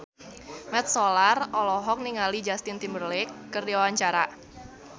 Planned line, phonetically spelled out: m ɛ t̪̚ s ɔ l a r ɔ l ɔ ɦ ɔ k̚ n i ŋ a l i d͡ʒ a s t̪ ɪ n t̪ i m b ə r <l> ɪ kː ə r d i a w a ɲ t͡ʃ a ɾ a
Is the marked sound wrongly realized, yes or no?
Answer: no